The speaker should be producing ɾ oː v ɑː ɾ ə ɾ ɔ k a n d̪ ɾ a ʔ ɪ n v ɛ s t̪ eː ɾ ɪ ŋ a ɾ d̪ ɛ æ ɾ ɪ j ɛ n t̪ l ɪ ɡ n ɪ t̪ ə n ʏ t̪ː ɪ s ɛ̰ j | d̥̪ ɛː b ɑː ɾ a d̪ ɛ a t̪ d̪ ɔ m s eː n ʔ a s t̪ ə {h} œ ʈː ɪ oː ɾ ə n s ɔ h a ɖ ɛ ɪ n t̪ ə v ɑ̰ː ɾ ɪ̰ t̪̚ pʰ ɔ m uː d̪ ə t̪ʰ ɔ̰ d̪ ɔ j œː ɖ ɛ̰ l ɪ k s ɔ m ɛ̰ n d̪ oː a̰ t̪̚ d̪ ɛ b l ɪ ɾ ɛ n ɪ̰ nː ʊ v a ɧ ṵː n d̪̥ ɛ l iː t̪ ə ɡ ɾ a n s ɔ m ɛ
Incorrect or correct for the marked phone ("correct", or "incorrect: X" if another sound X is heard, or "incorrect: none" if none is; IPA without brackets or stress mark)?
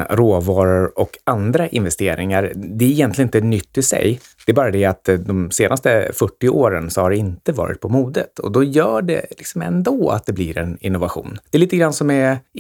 incorrect: f